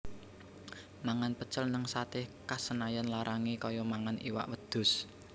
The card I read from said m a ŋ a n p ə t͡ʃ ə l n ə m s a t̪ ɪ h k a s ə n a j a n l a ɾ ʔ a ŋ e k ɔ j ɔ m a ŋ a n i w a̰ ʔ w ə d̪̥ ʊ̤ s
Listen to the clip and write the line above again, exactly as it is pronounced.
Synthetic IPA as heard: m a ŋ a n p ə t͡ʃ ə l n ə ŋ s a t̪ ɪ h k a s ə n a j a n l a ɾ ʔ a ŋ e k ɔ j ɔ m a ŋ a n i w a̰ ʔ w ə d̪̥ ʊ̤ s